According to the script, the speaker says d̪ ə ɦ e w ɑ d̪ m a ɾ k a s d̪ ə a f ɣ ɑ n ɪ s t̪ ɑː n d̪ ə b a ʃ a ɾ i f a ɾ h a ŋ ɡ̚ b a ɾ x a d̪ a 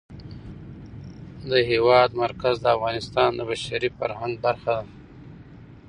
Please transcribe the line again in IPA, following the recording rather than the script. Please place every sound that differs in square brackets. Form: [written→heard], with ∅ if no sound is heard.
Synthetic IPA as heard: d̪ ə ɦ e w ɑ d̪ m a ɾ k a [s→z] d̪ ə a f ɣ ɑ n ɪ s t̪ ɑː n d̪ ə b a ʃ a ɾ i f a ɾ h a ŋ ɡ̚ b a ɾ x a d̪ a